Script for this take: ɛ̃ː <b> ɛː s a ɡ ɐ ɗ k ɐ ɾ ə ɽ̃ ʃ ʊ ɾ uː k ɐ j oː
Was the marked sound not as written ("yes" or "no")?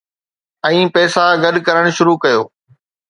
yes